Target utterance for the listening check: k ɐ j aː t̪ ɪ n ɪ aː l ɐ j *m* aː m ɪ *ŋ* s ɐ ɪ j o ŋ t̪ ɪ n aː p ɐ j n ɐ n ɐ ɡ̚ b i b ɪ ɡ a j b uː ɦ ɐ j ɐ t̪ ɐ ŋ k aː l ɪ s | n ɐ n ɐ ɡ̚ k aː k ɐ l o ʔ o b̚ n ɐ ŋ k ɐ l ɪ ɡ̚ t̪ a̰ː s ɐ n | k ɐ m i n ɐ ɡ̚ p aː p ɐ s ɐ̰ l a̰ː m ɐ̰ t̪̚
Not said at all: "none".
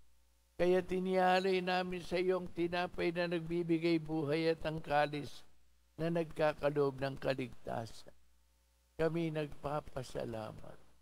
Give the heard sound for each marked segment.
n, n

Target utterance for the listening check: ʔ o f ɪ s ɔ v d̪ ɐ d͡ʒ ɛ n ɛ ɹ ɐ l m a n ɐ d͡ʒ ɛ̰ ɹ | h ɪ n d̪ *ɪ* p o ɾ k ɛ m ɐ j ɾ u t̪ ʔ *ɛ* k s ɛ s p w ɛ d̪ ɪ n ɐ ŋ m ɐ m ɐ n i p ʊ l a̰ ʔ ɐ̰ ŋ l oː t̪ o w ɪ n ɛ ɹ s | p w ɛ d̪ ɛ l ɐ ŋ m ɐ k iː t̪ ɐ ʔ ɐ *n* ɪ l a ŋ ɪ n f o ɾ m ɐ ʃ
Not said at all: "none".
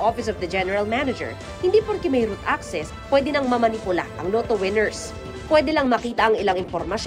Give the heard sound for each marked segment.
i, a, ŋ

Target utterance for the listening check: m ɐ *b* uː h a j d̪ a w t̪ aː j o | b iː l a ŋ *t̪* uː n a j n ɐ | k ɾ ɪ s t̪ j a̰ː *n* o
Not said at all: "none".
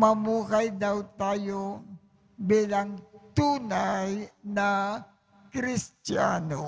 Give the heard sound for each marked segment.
m, t̪, n

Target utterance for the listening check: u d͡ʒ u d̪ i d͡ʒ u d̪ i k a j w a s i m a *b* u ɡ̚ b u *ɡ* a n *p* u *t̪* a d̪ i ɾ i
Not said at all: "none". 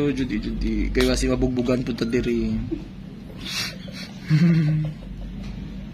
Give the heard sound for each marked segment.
b, ɡ, p, t̪

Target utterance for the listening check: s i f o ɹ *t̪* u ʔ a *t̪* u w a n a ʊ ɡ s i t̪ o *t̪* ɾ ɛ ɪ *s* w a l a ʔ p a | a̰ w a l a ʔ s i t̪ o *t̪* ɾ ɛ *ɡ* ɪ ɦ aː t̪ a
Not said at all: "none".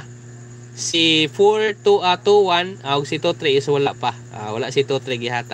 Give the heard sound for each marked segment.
t̪, t̪, t̪, s, t̪, ɡ

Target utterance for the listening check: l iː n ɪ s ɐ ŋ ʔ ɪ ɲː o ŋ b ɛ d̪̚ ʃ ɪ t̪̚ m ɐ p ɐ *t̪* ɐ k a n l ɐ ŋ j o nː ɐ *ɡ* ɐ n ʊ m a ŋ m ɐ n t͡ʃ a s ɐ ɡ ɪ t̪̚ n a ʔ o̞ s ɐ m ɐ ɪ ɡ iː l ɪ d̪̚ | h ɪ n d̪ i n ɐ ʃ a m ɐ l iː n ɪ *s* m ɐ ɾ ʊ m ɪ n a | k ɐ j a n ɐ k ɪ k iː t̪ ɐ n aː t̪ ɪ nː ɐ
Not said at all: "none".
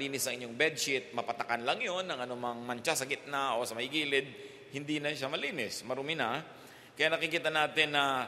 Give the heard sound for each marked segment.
t̪, ŋ, s

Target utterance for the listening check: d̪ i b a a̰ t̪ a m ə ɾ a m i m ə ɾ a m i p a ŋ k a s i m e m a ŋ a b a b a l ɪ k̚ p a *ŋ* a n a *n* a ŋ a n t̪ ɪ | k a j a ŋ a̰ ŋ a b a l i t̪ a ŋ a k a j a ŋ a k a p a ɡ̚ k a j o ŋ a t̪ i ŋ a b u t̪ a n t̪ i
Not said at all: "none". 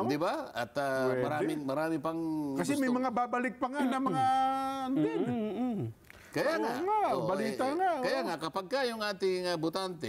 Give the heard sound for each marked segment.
ŋ, m

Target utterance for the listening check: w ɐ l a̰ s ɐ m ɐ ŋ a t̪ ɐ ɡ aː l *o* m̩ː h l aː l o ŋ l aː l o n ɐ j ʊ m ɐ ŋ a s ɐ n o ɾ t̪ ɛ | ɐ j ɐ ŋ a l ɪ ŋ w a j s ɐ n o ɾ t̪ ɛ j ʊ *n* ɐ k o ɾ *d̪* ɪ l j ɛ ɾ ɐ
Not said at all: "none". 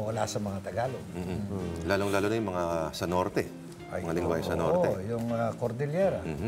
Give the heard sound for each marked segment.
o, ŋ, d̪

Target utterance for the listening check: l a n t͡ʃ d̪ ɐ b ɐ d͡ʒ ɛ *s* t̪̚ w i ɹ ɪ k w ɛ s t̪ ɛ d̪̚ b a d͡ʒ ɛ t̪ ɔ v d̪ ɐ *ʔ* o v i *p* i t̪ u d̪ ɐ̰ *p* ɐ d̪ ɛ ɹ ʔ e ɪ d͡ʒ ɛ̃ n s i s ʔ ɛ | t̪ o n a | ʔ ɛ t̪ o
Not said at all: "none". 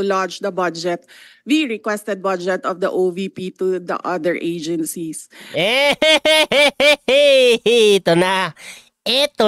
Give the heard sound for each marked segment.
none, ʔ, p, ʔ

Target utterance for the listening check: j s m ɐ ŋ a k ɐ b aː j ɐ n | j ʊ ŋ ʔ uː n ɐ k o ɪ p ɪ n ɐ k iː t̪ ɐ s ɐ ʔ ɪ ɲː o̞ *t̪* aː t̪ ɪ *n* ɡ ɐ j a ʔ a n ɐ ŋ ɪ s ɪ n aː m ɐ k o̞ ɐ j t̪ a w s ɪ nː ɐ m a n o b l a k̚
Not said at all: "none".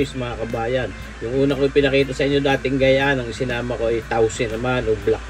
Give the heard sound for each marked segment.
d̪, ŋ

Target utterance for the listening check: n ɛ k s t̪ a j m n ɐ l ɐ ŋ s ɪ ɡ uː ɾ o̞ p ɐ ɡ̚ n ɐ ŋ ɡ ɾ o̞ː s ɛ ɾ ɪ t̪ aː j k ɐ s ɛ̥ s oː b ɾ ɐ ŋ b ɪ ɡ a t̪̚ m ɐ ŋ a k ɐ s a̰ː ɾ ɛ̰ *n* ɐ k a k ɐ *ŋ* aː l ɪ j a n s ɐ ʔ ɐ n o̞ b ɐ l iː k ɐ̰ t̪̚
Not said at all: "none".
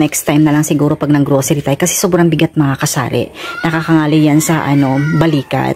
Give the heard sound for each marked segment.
n, ŋ

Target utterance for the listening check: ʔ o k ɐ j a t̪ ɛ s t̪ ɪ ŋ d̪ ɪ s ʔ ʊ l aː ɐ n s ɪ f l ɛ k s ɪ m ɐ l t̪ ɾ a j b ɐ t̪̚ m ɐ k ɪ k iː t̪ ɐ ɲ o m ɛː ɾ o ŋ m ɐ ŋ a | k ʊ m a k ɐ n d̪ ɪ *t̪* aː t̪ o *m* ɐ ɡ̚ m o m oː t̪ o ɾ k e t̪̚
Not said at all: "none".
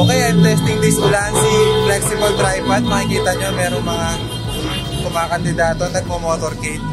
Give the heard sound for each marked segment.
d̪, n

